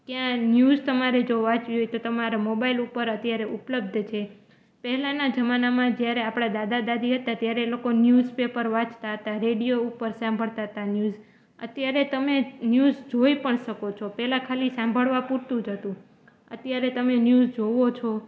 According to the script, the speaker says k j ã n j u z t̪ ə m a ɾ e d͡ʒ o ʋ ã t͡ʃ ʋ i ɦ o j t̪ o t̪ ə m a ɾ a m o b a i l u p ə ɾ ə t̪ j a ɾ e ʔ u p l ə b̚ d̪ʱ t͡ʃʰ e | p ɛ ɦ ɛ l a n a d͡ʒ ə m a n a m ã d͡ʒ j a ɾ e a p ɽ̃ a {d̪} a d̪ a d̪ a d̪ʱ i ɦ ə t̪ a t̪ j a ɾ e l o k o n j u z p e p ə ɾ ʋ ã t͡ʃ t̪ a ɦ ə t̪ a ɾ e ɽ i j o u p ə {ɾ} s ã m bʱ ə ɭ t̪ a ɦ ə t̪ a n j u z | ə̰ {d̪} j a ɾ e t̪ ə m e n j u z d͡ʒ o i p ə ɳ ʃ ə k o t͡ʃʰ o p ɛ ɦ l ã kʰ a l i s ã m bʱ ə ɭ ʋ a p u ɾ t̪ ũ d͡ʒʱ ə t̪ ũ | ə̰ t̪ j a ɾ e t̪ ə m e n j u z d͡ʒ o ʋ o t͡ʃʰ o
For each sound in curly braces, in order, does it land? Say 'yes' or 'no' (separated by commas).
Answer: yes, yes, no